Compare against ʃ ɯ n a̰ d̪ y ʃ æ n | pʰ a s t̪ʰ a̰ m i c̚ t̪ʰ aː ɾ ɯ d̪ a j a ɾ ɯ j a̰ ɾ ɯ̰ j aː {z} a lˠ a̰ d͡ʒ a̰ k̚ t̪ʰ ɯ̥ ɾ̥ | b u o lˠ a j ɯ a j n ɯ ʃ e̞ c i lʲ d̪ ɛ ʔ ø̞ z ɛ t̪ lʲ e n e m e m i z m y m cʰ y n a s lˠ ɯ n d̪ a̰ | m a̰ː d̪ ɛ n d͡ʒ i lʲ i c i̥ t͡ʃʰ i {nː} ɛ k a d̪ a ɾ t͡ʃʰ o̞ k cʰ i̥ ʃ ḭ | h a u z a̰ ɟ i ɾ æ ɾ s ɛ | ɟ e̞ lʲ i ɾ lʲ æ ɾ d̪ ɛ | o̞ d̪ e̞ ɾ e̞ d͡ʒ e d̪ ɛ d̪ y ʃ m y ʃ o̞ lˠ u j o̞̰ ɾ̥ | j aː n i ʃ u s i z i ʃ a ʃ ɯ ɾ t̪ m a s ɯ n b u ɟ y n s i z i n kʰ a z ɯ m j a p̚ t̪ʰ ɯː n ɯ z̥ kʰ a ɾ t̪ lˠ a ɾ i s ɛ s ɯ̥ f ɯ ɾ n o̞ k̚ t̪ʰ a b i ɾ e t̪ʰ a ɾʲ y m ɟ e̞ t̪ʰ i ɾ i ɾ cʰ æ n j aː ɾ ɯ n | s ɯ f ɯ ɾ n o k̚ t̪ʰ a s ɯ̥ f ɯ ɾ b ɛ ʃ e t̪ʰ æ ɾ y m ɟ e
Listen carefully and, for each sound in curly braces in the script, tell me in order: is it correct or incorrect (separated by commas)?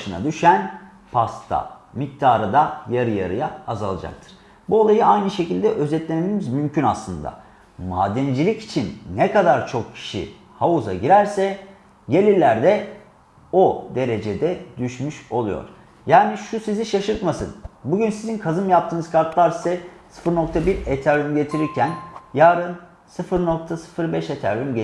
correct, correct